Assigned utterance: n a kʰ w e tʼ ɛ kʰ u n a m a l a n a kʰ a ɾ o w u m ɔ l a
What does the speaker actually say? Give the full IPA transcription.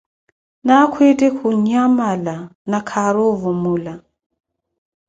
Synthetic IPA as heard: n a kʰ w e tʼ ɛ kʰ u ɲ a m a l a n a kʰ a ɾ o v u m u l a